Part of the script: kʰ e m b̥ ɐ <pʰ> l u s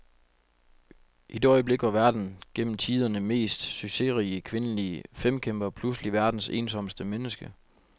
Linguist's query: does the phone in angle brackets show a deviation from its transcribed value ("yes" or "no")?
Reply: no